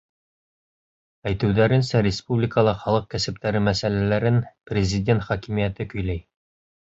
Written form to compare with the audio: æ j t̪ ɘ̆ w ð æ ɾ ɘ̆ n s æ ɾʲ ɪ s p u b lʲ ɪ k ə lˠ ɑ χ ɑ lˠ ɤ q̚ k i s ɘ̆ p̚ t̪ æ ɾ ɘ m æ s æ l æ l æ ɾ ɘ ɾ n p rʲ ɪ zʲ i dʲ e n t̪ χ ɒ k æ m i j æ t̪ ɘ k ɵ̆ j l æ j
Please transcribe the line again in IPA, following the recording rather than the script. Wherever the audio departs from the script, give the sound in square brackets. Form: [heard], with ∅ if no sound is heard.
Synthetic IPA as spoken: æ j t̪ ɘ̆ w ð æ ɾ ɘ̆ n s æ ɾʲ ɪ s p u b lʲ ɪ k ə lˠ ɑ χ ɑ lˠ ɤ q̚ k [æ] s ɘ̆ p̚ t̪ æ ɾ ɘ m æ s æ l æ l æ ɾ ɘ [∅] n p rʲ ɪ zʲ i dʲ e n t̪ χ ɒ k [i] m i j æ t̪ ɘ k ɵ̆ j l æ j